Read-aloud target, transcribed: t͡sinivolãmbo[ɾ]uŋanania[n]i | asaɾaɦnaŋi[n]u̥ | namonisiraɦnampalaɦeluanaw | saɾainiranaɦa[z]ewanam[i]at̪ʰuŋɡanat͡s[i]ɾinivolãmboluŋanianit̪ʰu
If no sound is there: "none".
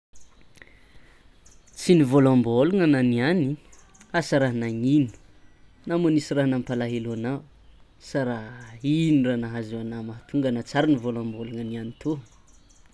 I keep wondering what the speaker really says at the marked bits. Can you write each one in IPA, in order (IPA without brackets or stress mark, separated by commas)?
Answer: l, n, n, z, a, a